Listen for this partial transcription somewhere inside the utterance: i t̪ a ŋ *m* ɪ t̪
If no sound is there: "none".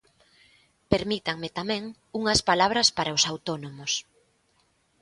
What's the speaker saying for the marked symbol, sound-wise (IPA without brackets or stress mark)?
m